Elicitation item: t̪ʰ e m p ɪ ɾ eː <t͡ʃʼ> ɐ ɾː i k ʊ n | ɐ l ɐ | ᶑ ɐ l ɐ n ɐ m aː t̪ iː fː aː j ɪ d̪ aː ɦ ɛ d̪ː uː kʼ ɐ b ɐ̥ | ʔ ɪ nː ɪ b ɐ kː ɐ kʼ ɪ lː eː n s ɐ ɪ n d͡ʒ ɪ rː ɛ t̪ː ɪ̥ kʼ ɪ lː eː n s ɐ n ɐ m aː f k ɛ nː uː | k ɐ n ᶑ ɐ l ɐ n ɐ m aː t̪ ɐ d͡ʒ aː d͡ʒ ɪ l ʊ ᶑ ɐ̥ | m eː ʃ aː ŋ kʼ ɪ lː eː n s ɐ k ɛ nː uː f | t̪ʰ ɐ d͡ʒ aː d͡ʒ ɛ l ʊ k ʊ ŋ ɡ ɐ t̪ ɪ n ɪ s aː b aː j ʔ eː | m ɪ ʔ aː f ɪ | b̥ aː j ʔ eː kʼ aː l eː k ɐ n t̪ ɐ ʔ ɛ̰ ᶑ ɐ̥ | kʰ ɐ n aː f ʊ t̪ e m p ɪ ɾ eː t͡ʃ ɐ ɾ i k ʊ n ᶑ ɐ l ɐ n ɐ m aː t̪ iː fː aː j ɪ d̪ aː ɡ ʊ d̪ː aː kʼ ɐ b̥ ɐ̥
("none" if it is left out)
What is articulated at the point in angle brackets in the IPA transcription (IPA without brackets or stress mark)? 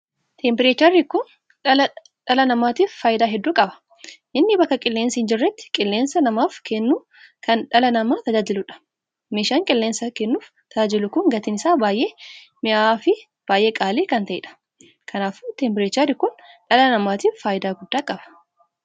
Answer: t͡ʃ